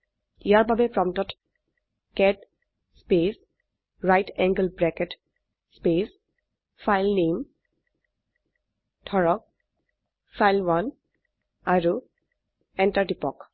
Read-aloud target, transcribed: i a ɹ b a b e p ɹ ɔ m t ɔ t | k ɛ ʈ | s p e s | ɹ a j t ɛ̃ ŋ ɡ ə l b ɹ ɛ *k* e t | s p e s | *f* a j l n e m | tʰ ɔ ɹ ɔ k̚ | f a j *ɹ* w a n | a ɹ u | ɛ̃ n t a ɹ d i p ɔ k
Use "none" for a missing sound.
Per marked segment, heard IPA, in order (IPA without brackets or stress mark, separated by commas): k, f, l